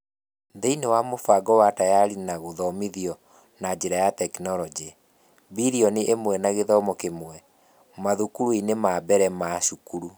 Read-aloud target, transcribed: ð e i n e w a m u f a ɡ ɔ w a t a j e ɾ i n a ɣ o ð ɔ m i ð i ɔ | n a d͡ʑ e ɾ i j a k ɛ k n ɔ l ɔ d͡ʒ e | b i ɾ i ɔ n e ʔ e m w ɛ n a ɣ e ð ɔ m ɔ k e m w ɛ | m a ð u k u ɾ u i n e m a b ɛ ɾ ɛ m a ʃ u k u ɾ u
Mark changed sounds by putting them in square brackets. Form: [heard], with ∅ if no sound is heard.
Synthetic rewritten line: ð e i n e w a m [o] f a ɡ ɔ w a t a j [a] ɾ i n a ɣ o ð ɔ m i ð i ɔ | n a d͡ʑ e ɾ [a] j a [t] ɛ k n ɔ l ɔ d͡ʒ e | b i ɾ i ɔ n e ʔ e m w ɛ n a ɣ e ð ɔ m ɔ k e m w ɛ | m a ð u k u ɾ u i n e m a b ɛ ɾ ɛ m a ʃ u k u ɾ u